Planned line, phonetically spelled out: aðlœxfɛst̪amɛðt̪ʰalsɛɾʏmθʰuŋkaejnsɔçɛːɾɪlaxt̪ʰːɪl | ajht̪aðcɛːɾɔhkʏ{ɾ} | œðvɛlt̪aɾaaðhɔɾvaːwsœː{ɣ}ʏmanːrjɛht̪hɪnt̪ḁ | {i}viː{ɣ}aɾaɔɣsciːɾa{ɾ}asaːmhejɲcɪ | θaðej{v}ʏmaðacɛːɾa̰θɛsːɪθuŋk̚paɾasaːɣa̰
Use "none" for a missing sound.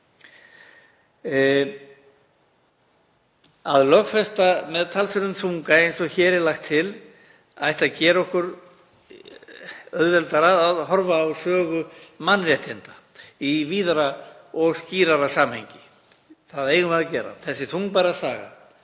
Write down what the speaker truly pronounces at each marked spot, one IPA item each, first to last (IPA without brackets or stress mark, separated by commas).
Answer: ɾ, ɣ, i, ð, ɾ, ɣ